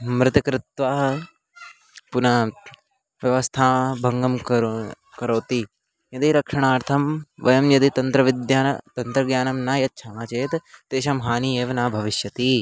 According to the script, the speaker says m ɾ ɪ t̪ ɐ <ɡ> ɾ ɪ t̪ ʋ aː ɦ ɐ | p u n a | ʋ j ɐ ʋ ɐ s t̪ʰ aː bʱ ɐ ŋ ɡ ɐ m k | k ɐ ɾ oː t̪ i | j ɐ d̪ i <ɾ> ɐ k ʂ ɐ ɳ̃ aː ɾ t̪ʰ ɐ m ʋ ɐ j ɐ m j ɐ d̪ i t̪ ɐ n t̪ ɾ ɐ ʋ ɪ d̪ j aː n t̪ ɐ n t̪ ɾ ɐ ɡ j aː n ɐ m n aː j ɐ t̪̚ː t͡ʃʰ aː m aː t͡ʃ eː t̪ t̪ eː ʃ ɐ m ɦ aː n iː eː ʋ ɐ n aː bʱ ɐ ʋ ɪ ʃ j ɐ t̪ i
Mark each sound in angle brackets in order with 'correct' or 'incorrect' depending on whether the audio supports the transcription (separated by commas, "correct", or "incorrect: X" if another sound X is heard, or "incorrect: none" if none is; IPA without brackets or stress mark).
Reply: incorrect: k, correct